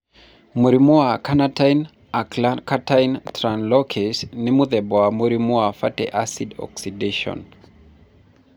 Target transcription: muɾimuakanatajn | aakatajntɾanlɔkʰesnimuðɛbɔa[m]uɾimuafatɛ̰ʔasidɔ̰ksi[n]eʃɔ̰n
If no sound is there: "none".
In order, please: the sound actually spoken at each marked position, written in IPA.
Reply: m, d

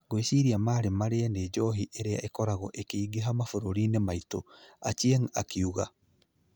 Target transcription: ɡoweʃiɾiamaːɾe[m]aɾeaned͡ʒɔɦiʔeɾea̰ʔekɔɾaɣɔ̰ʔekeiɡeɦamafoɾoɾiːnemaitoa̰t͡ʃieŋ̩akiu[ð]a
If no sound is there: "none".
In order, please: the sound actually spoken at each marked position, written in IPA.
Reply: m, ɣ

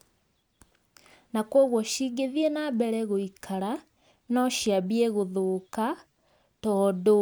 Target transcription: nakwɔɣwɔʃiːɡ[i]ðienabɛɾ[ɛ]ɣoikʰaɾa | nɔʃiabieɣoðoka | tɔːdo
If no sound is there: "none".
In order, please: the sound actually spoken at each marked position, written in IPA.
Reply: e, ɛ

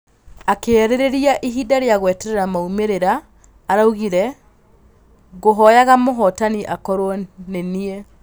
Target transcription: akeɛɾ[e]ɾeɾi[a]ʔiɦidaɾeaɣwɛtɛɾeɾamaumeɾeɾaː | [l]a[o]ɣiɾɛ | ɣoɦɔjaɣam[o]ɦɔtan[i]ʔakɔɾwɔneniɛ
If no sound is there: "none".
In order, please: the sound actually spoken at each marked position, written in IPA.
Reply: e, a, ɾ, u, o, i

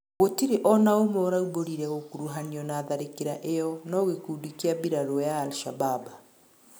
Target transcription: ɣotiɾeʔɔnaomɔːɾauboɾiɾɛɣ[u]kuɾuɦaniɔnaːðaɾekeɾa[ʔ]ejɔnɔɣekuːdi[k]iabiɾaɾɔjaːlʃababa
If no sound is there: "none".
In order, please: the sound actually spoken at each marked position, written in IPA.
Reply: o, ʔ, k

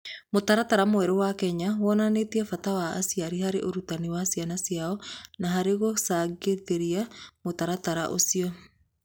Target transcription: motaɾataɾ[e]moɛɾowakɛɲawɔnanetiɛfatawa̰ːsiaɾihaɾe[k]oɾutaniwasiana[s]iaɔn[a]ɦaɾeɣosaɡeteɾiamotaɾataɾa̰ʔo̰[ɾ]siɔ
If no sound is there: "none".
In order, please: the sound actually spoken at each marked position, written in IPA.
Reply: a, ʔ, s, a, none

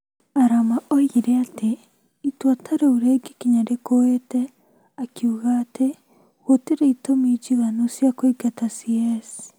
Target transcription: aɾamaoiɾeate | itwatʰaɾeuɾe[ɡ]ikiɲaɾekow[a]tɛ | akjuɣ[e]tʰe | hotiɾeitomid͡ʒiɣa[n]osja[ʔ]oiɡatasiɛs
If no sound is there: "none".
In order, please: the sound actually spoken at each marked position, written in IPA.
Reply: ɡ, e, a, n, k

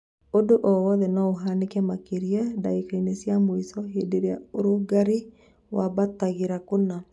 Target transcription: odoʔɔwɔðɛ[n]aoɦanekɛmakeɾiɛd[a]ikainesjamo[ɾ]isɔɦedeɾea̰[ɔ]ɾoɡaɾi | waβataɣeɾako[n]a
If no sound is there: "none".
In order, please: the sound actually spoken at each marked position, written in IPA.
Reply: n, a, none, o, n

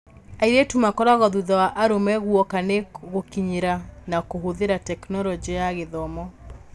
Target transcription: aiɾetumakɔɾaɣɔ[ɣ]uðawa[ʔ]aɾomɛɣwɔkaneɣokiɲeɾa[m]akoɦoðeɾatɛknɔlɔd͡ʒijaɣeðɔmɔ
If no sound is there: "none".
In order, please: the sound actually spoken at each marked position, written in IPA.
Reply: ð, ʔ, n

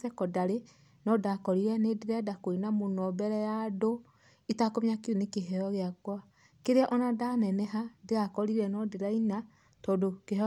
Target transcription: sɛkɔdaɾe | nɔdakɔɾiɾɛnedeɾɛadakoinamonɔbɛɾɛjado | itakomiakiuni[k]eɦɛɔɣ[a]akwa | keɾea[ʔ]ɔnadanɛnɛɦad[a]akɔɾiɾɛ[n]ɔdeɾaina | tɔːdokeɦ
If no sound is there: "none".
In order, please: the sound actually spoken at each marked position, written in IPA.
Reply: k, e, ʔ, e, n

